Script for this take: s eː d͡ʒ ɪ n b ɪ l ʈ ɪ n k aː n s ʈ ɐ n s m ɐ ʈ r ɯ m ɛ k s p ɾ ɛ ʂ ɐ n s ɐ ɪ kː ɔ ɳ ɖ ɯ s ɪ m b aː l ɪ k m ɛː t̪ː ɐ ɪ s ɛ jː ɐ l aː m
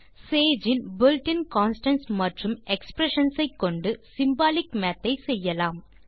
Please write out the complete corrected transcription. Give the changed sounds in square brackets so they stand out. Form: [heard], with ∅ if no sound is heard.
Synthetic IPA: s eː d͡ʒ ɪ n b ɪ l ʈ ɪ n k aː n s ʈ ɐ n s m ɐ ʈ r ɯ m ɛ k s p ɾ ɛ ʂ ɐ n s ɐ ɪ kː ɔ ɳ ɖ ɯ s ɪ m b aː l ɪ k m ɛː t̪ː ɐ ɪ s ɛ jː ɐ l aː m